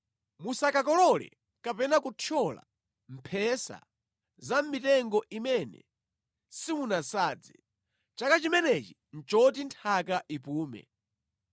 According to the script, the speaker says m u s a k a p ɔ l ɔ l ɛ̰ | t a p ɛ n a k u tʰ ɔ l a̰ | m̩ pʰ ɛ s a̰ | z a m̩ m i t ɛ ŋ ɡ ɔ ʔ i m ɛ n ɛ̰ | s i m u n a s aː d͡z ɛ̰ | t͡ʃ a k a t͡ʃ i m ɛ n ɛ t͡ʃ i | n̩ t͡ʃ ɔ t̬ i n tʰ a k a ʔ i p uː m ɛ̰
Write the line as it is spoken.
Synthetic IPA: m u s a k a k ɔ l ɔ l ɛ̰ | k a p ɛ n a k u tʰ ɔ l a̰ | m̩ pʰ ɛ s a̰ | z a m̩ m i t ɛ ŋ ɡ ɔ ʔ i m ɛ n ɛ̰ | s i m u n a s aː d͡z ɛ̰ | t͡ʃ a k a t͡ʃ i m ɛ n ɛ t͡ʃ i | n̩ t͡ʃ ɔ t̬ i n tʰ a k a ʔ i p uː m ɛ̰

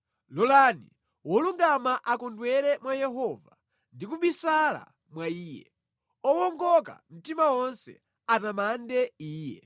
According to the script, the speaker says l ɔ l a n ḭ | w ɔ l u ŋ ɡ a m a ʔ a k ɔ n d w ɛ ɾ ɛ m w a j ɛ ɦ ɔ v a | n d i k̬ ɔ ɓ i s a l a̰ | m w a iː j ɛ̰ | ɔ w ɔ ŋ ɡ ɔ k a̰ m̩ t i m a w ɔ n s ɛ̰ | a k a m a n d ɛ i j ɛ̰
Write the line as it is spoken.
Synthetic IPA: l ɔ l a n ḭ | w ɔ l u ŋ ɡ a m a ʔ a k ɔ n d w ɛ ɾ ɛ m w a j ɛ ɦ ɔ v a | n d i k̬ u ɓ i s a l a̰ | m w a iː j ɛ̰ | ɔ w ɔ ŋ ɡ ɔ k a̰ m̩ t i m a w ɔ n s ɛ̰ | a t a m a n d ɛ iː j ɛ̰

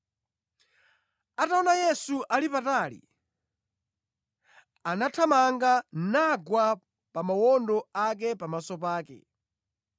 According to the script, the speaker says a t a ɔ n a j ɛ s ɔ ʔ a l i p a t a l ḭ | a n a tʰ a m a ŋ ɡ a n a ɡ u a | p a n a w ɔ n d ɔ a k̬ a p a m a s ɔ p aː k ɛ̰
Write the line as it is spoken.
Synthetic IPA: a t a ɔ n a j ɛ s u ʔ a l i p a t a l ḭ | a n a tʰ a m a ŋ ɡ a n a ɡ w a | p a m a w ɔ n d ɔ a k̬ ɛ p a m a s ɔ p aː k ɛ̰

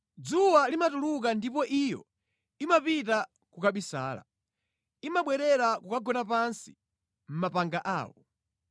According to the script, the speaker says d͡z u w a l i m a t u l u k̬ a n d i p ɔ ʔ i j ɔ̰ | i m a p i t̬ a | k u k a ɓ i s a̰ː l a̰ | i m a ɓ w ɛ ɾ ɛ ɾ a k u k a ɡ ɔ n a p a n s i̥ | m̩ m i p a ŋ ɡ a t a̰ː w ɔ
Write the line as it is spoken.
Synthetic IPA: d͡z u w a l i m a t u l u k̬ a n d i p ɔ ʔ i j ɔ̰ | i m a p i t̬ a | k u k a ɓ i s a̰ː l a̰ | i m a ɓ w ɛ ɾ ɛ ɾ a k u k a ɡ ɔ n a p a n s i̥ | m̩ m a p a ŋ ɡ a ʔ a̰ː w ɔ

